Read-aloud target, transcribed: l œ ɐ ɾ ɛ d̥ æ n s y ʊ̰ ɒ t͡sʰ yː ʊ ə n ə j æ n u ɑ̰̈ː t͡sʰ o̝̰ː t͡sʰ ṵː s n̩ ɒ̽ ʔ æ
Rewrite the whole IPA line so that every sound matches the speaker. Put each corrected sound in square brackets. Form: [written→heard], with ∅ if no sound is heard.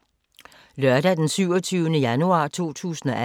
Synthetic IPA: l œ ɐ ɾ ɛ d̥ [æ→e] n s y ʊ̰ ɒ t͡sʰ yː ʊ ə n ə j æ n u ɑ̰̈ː t͡sʰ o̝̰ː t͡sʰ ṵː s n̩ ɒ̽ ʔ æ